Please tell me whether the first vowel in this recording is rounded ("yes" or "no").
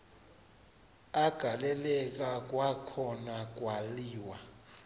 no